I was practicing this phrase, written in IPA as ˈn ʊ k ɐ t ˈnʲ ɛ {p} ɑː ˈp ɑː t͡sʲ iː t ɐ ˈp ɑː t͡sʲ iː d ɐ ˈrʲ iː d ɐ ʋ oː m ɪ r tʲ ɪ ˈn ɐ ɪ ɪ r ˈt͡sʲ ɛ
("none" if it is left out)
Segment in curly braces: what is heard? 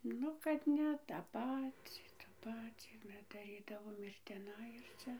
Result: t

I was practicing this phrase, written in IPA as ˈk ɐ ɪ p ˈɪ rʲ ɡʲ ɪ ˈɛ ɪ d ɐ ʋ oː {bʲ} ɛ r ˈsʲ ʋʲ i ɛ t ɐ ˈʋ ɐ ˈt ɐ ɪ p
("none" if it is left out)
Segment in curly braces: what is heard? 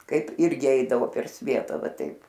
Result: pʲ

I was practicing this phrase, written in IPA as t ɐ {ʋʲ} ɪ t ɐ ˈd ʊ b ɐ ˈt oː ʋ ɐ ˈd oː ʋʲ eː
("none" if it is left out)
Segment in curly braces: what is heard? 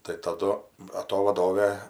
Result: none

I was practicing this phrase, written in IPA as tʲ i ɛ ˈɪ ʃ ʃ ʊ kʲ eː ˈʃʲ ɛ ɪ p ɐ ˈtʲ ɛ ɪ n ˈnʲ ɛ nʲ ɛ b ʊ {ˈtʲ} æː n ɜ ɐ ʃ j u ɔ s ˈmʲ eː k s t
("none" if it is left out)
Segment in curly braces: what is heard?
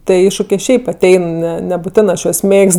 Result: tʲ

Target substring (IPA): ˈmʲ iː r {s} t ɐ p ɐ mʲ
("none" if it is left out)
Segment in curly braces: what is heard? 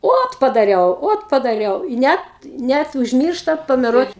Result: ʃ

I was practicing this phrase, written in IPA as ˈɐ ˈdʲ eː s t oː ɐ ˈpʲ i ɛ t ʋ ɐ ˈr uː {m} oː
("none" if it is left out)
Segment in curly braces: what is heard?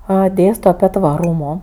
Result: m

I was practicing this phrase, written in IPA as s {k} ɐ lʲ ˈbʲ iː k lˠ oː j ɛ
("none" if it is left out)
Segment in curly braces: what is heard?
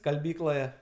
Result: k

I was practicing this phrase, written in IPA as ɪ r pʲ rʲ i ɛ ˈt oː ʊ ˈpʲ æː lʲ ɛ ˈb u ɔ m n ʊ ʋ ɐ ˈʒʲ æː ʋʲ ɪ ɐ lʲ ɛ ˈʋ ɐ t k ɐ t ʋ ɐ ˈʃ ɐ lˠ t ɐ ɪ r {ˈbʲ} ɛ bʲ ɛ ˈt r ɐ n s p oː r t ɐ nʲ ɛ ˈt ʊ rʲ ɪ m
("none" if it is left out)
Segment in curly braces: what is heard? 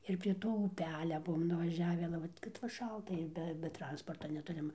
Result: bʲ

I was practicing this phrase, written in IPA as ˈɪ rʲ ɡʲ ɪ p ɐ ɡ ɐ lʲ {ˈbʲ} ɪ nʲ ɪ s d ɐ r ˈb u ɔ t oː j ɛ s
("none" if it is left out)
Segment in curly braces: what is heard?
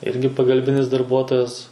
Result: bʲ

